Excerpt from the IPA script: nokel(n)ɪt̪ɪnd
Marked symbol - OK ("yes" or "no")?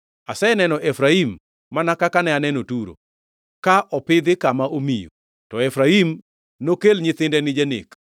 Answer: no